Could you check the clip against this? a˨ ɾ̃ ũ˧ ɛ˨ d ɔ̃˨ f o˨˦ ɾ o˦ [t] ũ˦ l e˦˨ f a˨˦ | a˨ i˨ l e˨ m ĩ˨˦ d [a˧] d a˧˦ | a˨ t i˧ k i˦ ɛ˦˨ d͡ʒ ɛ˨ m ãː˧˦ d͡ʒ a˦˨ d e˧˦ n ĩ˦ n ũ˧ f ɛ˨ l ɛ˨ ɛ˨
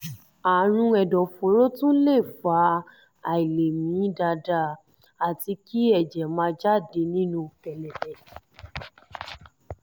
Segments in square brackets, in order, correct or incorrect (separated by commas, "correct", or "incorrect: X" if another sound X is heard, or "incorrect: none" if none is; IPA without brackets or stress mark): correct, correct